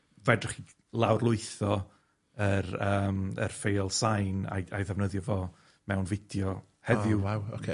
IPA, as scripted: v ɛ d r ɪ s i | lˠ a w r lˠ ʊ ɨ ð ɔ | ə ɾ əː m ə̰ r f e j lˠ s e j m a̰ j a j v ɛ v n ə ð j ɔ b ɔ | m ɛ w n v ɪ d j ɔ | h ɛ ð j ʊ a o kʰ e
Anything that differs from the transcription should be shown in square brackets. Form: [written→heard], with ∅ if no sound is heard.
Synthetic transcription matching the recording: v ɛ d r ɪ [s→χ] i | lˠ a w r lˠ ʊ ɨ [ð→θ] ɔ | ə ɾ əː m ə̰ r f e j lˠ s [e→a] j [m→n] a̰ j a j [v→ð] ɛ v n ə ð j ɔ [b→v] ɔ | m ɛ w n v ɪ d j ɔ | h ɛ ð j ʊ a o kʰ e